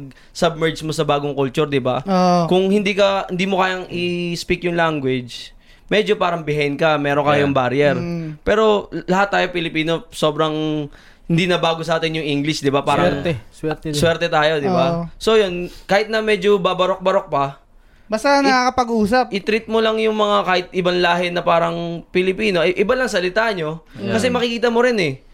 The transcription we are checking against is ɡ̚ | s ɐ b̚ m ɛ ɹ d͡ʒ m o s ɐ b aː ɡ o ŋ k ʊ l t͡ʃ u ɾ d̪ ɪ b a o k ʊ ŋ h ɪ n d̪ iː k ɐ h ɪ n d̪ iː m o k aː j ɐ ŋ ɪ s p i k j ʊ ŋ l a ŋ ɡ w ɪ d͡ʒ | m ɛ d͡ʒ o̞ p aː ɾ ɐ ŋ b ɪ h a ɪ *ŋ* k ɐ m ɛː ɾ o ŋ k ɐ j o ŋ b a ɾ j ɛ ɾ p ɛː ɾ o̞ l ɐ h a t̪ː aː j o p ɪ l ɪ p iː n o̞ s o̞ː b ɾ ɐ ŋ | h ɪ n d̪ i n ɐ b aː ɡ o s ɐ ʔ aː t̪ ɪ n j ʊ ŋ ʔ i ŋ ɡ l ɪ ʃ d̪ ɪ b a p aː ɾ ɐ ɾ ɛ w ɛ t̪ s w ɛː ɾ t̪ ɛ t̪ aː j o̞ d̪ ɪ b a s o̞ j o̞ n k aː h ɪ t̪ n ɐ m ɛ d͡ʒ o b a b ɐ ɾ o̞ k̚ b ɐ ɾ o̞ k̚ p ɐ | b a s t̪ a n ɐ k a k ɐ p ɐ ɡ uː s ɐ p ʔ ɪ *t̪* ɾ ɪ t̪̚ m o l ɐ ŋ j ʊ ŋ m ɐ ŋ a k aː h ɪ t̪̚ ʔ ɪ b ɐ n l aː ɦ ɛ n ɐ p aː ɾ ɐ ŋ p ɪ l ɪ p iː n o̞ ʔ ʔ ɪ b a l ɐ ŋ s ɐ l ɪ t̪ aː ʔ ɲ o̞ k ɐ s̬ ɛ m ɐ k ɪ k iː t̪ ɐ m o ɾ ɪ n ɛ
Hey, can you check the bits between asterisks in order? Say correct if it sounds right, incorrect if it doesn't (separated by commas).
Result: incorrect, correct